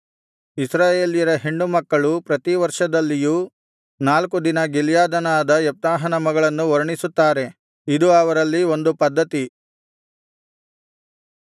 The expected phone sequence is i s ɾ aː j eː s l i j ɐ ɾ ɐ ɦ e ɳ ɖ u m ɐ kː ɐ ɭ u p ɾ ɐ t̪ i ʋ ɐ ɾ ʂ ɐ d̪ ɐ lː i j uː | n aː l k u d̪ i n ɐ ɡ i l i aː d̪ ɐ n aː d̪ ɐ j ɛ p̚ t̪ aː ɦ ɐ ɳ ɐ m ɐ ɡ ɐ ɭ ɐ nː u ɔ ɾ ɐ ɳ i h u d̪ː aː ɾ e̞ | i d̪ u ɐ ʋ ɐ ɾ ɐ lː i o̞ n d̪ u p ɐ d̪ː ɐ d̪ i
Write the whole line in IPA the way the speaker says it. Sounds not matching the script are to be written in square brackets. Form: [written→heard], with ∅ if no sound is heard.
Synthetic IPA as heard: i s ɾ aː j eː [s→∅] l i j ɐ ɾ ɐ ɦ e ɳ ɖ u m ɐ kː ɐ ɭ u p ɾ ɐ t̪ i ʋ ɐ ɾ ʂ ɐ d̪ ɐ lː i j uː | n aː l k u d̪ i n ɐ ɡ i l [i→j] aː d̪ ɐ n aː d̪ ɐ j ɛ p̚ t̪ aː ɦ ɐ [ɳ→n] ɐ m ɐ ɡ ɐ ɭ ɐ nː u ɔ ɾ ɐ ɳ i [h→s] u [d̪ː→t̪ː] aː ɾ e̞ | i d̪ u ɐ ʋ ɐ ɾ ɐ lː i o̞ n d̪ u p ɐ d̪ː ɐ [d̪→t̪] i